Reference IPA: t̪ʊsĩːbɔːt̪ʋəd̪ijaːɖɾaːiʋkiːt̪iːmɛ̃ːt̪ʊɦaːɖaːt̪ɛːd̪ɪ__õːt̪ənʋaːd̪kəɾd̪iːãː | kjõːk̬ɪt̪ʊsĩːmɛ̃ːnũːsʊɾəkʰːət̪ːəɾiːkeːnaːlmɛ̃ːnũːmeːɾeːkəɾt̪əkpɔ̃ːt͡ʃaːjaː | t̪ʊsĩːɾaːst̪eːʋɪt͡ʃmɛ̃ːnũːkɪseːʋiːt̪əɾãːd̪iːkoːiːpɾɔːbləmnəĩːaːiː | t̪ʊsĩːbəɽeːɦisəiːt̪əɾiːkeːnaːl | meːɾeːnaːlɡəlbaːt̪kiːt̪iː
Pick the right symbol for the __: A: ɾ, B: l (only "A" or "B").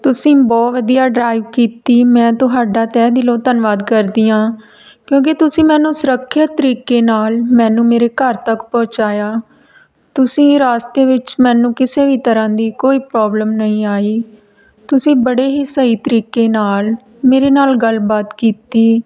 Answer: B